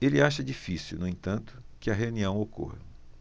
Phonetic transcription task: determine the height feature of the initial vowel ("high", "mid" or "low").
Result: mid